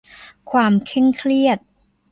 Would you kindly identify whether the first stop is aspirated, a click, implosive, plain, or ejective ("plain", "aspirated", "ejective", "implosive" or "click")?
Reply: aspirated